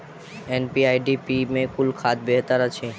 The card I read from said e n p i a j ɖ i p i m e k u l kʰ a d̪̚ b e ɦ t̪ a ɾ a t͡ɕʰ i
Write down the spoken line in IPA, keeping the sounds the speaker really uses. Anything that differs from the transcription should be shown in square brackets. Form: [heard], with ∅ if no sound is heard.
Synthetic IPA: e n p i a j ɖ i p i m e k u l kʰ a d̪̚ b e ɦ t̪ a ɾ a t͡ɕʰ [e]